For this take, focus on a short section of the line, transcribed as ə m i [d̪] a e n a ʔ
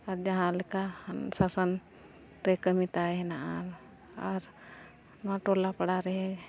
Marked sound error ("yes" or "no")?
yes